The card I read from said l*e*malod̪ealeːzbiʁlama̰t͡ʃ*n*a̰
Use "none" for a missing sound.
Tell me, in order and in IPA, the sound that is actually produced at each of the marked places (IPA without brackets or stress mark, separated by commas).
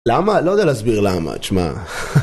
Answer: a, m